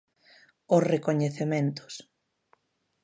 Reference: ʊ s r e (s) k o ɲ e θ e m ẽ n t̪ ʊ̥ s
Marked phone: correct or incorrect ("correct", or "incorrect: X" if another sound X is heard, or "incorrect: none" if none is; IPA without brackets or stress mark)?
incorrect: none